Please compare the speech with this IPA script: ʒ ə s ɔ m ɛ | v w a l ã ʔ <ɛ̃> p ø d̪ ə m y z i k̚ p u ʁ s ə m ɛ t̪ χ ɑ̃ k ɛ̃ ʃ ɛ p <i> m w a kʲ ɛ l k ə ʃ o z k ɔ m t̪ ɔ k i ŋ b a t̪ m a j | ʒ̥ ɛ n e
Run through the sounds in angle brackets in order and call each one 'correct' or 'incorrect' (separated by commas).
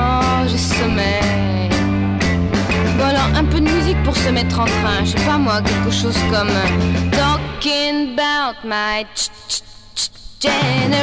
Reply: correct, incorrect